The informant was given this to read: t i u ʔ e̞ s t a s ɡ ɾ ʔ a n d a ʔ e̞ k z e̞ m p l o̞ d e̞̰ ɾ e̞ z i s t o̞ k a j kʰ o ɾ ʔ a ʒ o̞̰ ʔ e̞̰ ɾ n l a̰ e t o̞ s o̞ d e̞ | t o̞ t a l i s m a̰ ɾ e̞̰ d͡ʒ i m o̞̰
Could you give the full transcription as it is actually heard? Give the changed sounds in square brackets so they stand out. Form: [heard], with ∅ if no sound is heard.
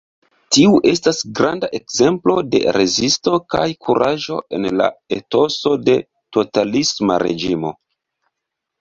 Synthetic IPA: t i u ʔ e̞ s t a s ɡ ɾ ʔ a n d a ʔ e̞ k z e̞ m p l o̞ d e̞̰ ɾ e̞ z i s t o̞ k a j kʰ [u] ɾ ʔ a ʒ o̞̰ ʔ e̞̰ [∅] n l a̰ e t o̞ s o̞ d e̞ | t o̞ t a l i s m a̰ ɾ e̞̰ d͡ʒ i m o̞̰